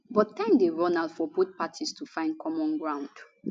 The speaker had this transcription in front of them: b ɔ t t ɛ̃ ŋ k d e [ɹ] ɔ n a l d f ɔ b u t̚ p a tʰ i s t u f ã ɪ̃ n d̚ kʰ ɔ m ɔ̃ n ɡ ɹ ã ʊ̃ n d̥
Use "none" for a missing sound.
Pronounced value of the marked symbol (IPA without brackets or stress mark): ɹ